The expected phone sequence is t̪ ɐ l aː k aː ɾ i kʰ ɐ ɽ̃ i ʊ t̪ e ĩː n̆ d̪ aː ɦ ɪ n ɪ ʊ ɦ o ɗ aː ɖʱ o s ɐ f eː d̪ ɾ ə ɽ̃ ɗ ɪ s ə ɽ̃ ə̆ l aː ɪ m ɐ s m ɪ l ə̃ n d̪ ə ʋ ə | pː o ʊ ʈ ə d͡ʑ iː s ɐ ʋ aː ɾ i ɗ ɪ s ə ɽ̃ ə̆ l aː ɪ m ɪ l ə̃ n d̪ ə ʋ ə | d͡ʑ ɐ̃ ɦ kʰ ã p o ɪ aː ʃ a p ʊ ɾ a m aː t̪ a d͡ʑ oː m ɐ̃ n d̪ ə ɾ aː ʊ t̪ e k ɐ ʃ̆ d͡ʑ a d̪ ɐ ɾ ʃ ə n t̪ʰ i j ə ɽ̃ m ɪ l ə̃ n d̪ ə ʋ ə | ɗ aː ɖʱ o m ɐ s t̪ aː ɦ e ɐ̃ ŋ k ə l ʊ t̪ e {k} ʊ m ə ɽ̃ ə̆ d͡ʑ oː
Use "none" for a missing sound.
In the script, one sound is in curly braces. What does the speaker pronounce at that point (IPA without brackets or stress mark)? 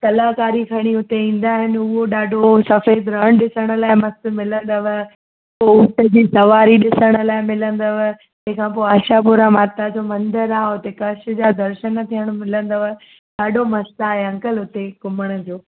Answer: k